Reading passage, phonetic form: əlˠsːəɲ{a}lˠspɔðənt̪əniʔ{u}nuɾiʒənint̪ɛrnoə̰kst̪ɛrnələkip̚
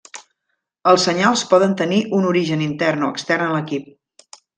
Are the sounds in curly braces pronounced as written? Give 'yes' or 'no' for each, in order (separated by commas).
yes, yes